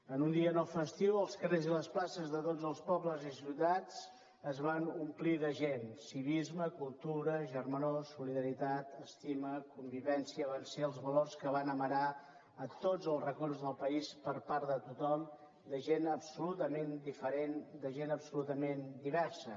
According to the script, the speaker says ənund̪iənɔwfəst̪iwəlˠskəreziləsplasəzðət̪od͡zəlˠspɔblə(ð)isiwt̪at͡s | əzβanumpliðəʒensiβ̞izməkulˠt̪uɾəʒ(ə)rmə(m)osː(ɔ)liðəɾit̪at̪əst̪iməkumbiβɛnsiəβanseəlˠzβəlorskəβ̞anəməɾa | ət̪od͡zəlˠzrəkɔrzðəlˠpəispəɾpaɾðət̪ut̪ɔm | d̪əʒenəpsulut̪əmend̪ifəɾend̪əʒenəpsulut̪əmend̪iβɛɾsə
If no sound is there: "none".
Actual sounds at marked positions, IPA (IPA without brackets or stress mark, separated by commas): z, ə, n, u